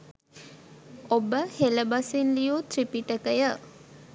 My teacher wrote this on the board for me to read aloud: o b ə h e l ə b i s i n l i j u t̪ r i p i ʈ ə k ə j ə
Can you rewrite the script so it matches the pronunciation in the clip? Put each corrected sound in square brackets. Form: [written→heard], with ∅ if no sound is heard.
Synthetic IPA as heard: o b ə h e l ə b [i→a] s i n l i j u t̪ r i p i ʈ ə k ə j ə